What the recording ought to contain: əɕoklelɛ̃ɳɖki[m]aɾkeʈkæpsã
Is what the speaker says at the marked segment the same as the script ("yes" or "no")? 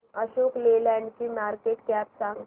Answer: yes